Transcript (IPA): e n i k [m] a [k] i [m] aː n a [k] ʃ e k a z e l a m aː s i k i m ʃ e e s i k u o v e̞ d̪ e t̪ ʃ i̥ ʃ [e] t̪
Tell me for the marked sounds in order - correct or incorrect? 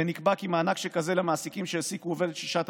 incorrect, correct, correct, correct, incorrect

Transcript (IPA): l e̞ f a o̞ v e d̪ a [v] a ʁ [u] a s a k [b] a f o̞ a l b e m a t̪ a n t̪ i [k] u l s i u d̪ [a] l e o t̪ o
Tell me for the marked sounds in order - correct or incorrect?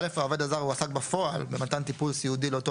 incorrect, correct, correct, incorrect, incorrect

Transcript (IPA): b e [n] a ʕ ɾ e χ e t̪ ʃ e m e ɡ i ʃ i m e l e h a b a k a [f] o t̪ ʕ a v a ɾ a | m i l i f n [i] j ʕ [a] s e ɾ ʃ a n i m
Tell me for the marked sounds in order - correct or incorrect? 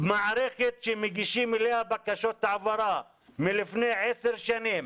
incorrect, incorrect, incorrect, incorrect

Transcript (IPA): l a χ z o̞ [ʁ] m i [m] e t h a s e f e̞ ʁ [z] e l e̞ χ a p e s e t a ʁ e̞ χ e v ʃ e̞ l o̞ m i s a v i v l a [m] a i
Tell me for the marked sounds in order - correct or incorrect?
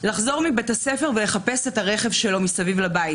correct, incorrect, incorrect, incorrect

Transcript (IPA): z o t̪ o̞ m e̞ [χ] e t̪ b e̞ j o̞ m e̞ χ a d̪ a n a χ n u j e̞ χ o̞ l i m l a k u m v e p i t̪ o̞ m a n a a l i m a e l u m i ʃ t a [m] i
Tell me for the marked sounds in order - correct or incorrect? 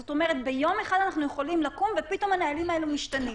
incorrect, incorrect

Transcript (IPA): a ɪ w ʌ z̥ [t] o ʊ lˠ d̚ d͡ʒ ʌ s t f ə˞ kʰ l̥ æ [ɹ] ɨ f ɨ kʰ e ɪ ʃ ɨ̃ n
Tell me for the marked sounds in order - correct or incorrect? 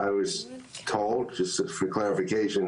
incorrect, correct

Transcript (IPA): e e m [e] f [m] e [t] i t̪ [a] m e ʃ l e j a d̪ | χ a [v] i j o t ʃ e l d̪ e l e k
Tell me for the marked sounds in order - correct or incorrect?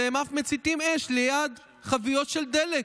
incorrect, correct, incorrect, incorrect, correct

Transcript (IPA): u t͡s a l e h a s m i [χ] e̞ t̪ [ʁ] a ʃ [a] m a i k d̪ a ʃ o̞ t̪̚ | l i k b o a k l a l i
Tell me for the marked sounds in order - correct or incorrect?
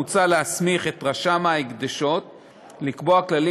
correct, correct, correct

